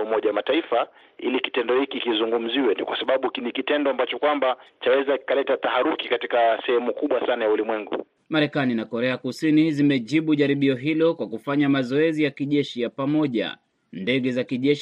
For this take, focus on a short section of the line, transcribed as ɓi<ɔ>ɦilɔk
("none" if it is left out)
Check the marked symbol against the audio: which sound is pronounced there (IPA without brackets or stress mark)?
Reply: ɔ